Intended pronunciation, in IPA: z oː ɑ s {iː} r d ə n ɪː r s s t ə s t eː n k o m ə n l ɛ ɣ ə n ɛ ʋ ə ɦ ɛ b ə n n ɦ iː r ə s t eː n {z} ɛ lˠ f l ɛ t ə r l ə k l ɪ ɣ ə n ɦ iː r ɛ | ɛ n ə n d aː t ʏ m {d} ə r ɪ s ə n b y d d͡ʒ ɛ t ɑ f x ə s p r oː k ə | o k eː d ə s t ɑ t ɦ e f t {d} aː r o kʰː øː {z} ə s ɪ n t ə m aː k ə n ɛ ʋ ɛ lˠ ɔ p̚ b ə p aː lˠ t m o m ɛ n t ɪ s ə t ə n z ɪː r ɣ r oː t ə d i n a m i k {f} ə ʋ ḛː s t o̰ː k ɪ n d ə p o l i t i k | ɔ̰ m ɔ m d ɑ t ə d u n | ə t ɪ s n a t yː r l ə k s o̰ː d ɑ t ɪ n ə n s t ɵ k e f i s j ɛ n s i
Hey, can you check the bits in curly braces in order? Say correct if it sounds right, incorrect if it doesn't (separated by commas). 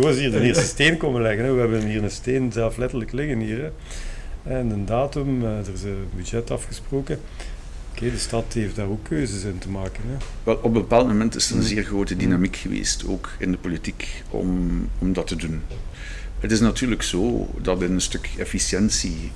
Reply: correct, correct, correct, correct, correct, incorrect